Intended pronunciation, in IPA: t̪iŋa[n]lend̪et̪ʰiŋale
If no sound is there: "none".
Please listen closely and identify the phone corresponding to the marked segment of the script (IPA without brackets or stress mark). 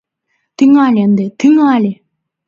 none